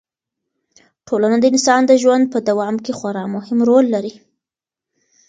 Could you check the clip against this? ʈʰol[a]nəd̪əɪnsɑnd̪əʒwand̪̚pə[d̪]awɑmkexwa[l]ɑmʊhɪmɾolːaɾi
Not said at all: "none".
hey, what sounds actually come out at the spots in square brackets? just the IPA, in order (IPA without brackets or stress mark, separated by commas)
a, d̪, ɾ